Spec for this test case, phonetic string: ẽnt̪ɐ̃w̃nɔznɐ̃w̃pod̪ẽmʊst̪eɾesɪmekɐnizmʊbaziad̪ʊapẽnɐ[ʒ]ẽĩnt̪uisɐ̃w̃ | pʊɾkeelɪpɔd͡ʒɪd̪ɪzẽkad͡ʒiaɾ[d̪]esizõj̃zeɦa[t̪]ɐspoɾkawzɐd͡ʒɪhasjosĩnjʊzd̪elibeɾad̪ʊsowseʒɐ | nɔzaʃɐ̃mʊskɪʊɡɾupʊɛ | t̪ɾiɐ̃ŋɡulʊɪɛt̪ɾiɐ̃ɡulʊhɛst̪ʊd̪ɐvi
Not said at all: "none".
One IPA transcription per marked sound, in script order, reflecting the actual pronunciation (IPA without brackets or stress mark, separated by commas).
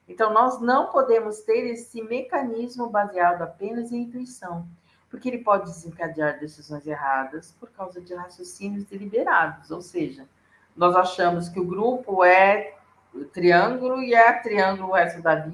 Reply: z, d̪, d̪